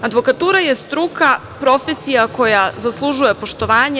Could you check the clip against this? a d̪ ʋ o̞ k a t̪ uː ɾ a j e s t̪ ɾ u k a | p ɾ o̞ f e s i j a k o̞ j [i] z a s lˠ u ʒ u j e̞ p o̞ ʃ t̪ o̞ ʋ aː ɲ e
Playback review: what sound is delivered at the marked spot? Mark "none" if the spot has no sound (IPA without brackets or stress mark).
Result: a